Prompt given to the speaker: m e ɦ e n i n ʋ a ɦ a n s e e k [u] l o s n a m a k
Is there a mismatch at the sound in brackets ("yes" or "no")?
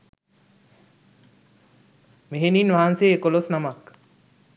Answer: yes